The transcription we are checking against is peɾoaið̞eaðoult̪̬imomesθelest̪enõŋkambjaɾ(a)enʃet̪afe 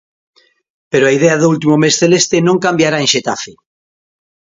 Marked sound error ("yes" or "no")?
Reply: no